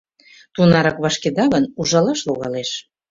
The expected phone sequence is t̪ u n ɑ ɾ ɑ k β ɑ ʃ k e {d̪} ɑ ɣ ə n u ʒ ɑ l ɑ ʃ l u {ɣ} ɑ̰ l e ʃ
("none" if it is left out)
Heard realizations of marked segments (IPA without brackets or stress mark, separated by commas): d̪, ɣ